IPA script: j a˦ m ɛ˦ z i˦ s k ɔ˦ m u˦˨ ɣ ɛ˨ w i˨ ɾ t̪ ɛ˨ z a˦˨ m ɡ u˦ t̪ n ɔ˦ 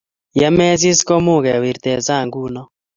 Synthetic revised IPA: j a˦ m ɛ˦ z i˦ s k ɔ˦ m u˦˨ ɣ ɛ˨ w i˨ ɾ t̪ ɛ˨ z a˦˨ ŋ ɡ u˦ n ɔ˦